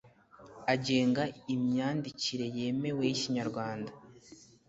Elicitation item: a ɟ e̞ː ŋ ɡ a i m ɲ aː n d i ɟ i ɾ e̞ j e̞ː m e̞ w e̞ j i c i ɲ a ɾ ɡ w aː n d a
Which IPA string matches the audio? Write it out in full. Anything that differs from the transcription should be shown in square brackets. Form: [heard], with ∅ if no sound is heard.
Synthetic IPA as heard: a ɟ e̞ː ŋ ɡ a i m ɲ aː n d i [c] i ɾ e̞ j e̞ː m e̞ w e̞ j i c i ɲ a ɾ ɡ w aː n d a